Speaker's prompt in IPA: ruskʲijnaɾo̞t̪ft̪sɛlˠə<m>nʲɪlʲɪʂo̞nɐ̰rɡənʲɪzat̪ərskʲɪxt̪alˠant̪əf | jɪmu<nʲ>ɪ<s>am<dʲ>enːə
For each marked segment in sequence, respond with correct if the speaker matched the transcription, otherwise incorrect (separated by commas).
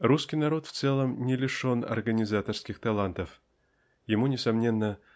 correct, correct, correct, incorrect